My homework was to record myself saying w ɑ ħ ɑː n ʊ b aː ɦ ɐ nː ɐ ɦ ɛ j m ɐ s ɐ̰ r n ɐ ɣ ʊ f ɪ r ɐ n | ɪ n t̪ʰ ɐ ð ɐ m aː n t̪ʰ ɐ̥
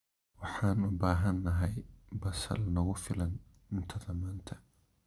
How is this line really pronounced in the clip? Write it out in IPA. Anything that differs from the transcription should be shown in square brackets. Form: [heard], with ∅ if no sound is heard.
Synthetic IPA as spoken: w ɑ ħ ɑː n ʊ b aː ɦ ɐ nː ɐ ɦ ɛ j [b] ɐ s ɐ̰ [l] n ɐ ɣ ʊ f ɪ [l] ɐ n | ɪ n t̪ʰ ɐ ð ɐ m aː n t̪ʰ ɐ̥